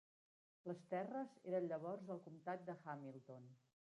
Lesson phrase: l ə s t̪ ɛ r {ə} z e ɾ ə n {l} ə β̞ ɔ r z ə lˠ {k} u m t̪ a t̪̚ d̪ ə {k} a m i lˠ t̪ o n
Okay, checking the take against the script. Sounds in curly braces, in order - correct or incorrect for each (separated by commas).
correct, incorrect, correct, incorrect